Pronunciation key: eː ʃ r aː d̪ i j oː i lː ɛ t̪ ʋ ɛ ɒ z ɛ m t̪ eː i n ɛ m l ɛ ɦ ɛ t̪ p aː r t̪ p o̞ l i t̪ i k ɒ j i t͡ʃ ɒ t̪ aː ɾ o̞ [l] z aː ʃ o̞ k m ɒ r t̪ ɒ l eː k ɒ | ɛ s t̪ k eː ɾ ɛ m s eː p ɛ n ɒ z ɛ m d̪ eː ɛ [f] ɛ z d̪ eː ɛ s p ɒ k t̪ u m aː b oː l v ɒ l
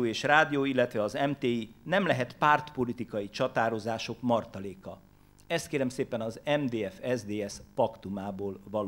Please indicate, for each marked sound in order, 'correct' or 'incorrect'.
incorrect: none, correct

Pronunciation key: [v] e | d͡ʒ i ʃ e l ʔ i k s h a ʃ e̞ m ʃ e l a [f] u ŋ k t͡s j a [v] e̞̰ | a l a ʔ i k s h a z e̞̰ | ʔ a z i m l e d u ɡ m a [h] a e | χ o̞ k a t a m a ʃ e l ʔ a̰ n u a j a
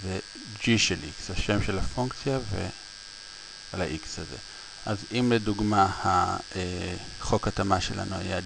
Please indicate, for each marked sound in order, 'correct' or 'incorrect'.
incorrect: z, correct, correct, correct

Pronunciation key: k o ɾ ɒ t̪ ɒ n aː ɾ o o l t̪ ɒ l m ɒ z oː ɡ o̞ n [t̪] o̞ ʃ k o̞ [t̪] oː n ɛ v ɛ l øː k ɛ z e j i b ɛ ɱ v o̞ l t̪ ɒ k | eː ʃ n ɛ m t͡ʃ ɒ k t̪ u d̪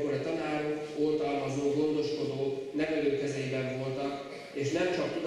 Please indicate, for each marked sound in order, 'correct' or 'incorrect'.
incorrect: d̪, incorrect: d̪

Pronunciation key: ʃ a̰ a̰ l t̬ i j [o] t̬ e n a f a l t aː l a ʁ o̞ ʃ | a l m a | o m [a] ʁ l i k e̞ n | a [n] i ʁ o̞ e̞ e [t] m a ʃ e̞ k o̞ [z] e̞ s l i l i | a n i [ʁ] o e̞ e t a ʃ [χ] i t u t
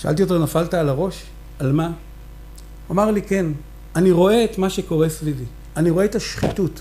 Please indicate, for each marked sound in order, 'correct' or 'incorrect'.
correct, correct, correct, correct, incorrect: ʁ, correct, correct

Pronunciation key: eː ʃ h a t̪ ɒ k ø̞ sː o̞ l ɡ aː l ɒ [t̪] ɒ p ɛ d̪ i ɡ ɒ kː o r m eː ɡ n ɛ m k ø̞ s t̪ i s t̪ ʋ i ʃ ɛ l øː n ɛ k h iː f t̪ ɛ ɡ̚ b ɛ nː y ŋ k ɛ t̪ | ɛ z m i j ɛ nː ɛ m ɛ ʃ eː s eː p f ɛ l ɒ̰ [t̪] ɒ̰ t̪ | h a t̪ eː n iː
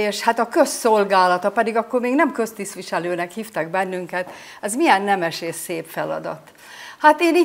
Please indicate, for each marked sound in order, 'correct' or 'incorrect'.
correct, incorrect: d̪

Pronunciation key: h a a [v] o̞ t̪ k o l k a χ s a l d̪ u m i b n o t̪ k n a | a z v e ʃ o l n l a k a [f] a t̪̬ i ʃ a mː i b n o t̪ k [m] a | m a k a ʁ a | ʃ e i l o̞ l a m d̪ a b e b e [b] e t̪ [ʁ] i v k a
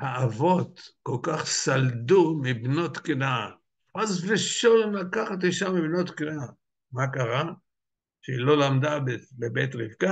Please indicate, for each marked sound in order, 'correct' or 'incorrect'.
correct, incorrect: χ, incorrect: n, correct, correct

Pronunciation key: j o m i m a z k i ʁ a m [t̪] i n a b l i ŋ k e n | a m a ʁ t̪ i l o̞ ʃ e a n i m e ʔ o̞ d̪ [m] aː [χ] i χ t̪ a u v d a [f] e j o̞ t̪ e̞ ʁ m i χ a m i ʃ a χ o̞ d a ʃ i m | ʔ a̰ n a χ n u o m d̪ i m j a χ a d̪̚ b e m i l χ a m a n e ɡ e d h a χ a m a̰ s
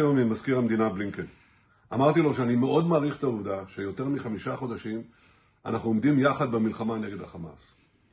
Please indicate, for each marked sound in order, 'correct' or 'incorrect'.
incorrect: d̪, correct, incorrect: ʁ, incorrect: ʃ

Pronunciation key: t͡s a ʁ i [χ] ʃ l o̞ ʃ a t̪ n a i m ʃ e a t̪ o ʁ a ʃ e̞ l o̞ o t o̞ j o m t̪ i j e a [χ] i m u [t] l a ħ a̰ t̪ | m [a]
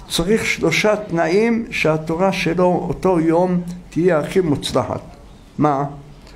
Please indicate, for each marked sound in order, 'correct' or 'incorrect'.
correct, correct, incorrect: t͡s, correct

